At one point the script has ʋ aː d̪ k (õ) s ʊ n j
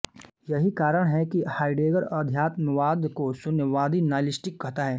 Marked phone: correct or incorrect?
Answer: incorrect: o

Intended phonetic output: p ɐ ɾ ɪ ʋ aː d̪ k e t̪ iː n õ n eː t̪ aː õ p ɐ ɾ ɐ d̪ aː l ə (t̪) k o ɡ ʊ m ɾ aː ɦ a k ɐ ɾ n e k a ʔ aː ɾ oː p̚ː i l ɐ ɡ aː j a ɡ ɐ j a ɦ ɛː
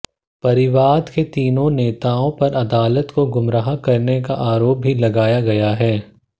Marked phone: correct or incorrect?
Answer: correct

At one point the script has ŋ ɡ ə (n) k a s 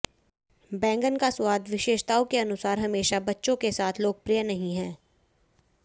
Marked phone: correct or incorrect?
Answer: correct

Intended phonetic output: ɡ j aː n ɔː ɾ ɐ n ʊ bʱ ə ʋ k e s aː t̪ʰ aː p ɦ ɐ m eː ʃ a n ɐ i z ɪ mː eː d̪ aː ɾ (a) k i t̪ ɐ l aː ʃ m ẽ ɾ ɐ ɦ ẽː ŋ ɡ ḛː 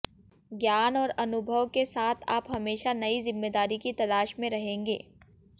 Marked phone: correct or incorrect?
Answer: incorrect: i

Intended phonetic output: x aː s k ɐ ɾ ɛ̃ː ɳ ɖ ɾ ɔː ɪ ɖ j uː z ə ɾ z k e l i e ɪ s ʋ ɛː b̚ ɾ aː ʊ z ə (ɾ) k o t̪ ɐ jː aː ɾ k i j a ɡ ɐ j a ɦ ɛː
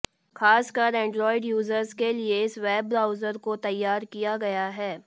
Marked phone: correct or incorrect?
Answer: correct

